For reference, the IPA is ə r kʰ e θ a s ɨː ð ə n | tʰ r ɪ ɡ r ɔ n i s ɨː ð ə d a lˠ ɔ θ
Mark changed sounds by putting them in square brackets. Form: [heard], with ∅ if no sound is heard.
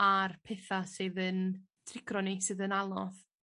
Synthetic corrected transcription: [a] r [pʰ] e θ a s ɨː ð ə n | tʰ r ɪ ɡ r ɔ n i s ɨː ð ə [n] a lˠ ɔ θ

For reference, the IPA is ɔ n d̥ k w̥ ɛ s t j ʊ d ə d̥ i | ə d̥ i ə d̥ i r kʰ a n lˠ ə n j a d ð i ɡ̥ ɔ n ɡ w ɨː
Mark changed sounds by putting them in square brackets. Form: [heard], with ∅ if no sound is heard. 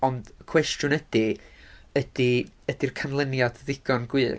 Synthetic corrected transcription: ɔ n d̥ [kʰ] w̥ ɛ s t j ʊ [n] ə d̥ i | ə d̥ i ə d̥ i r kʰ a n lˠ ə n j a d ð [ɪ] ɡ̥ ɔ n ɡ w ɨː

